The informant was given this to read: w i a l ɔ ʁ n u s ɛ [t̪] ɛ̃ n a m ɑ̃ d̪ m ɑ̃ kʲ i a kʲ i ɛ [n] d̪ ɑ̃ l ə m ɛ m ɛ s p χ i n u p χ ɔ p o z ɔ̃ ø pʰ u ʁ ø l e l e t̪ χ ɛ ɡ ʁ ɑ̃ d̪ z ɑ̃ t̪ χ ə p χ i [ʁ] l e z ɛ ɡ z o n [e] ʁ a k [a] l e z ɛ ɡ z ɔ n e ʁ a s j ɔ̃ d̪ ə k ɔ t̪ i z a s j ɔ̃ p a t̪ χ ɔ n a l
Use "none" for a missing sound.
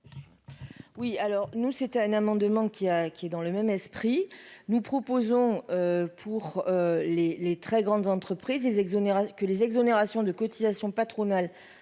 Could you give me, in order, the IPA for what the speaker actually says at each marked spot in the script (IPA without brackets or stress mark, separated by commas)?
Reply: t̪, none, z, e, ə